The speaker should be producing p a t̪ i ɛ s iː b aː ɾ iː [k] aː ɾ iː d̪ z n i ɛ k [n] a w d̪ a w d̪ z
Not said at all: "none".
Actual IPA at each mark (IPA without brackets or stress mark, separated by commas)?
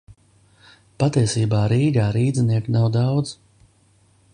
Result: ɡ, n